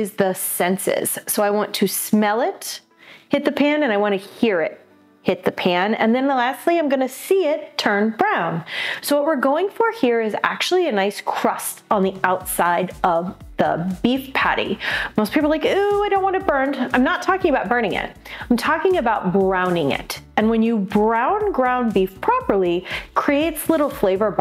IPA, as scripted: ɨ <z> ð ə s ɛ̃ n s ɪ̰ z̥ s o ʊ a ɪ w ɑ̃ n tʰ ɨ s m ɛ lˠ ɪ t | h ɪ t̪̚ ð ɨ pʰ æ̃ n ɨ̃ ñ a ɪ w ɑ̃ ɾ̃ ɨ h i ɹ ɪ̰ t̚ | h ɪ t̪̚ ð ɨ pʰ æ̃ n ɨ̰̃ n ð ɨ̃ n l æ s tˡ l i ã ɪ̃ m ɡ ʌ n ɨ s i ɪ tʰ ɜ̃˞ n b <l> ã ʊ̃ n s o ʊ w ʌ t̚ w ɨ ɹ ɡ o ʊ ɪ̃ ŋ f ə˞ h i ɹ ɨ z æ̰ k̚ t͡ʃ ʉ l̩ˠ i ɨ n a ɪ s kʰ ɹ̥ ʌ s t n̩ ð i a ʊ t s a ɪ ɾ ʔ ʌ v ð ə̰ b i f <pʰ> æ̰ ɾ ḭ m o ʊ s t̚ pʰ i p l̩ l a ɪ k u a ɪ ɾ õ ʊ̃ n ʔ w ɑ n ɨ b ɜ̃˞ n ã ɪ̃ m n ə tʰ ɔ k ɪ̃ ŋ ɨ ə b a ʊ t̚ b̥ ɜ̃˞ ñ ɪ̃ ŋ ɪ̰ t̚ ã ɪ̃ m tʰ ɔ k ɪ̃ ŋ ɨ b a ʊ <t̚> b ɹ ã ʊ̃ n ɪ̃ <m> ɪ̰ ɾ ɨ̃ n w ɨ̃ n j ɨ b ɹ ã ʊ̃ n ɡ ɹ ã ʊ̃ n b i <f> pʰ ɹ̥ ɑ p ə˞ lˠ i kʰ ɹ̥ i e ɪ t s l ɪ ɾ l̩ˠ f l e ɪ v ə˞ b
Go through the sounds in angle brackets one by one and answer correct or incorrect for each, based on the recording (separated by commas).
correct, incorrect, correct, correct, incorrect, correct